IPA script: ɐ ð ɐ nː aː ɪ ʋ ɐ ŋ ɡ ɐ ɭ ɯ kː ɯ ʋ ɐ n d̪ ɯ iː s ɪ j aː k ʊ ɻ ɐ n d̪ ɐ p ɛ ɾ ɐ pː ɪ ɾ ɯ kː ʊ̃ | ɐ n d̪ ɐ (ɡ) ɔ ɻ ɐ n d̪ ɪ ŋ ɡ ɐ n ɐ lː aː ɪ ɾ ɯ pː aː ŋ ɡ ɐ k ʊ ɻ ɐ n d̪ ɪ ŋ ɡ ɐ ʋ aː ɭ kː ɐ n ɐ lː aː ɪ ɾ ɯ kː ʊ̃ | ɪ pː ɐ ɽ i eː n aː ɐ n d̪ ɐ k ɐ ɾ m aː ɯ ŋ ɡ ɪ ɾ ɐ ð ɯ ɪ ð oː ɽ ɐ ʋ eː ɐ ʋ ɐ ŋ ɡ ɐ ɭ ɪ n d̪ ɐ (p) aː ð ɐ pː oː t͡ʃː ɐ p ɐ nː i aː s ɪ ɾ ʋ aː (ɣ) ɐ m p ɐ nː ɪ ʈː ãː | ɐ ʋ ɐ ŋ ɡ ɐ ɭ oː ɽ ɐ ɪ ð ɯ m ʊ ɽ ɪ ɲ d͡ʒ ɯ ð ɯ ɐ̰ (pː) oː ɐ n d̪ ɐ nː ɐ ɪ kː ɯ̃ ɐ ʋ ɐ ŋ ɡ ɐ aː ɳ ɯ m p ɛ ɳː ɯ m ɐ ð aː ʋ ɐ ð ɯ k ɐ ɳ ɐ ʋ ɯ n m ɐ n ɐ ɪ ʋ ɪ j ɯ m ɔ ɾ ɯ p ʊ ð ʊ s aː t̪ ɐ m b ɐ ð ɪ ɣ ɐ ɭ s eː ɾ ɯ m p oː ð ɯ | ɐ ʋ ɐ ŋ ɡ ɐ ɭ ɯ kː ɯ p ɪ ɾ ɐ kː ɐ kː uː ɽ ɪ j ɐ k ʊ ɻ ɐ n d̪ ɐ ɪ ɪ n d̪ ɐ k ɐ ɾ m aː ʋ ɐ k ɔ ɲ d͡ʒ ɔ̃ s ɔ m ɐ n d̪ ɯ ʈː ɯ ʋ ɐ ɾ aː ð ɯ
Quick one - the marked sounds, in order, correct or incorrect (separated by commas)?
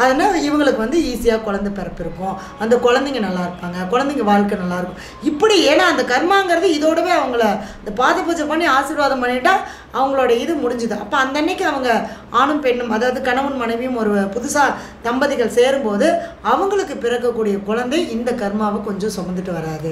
incorrect, correct, incorrect, correct